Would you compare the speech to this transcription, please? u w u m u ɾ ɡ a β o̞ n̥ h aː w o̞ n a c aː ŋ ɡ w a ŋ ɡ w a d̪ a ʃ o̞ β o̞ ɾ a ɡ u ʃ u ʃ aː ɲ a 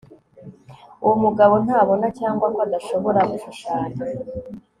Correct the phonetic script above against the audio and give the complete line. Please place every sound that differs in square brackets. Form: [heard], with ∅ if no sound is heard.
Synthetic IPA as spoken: u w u m u [∅] ɡ a β o̞ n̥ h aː [β] o̞ n a c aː ŋ ɡ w a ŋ ɡ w a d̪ a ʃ o̞ β o̞ ɾ a ɡ u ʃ u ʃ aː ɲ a